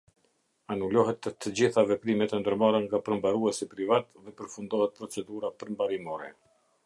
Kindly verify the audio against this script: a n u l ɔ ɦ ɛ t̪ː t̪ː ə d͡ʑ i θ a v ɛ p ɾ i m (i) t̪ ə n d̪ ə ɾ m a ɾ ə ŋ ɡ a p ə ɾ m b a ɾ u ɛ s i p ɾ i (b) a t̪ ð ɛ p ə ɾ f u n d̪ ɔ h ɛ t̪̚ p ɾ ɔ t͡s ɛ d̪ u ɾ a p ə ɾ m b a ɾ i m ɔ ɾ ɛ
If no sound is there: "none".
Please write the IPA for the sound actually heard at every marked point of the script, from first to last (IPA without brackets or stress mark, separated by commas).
ɛ, v